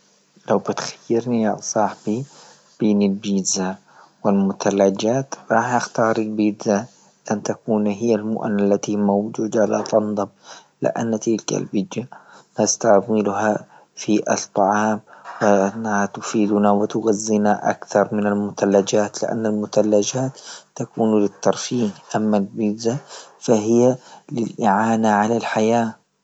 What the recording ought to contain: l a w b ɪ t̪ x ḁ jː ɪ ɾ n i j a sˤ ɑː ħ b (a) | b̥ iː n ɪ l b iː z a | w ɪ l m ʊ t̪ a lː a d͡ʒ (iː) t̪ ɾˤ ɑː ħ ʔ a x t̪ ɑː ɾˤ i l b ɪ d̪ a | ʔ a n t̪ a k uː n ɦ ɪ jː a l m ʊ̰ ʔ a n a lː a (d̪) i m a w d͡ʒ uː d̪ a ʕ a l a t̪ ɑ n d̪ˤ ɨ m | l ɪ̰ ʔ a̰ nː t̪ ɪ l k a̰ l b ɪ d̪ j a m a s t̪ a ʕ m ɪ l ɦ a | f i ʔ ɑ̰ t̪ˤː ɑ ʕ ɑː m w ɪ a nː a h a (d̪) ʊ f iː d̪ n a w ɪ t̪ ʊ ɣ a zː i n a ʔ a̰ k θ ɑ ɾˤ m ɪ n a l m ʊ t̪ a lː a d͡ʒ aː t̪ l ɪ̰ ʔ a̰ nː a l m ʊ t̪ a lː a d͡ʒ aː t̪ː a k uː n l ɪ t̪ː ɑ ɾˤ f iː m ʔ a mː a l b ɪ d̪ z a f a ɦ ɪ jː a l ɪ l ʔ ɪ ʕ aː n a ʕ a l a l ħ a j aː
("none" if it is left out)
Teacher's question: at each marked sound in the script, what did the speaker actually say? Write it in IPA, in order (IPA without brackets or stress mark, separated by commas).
i, aː, t̪, t̪